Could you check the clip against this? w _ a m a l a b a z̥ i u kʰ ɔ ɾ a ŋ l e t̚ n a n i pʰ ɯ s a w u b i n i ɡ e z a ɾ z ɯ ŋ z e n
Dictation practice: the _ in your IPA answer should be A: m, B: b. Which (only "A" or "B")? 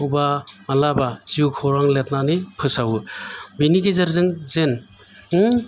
B